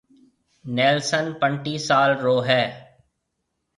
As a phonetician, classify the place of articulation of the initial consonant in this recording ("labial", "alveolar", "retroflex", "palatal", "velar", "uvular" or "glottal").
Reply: alveolar